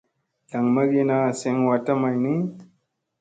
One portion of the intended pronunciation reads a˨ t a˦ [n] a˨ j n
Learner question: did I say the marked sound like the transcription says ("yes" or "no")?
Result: no